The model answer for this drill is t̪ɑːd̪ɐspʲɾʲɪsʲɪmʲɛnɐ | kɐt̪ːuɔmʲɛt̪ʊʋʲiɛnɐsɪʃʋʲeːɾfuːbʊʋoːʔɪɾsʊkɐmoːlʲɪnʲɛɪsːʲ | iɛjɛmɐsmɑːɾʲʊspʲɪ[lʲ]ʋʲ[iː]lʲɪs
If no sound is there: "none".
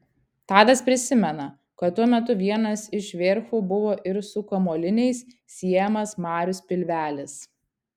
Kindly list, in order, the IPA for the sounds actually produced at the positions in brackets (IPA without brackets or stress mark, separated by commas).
lʲ, æː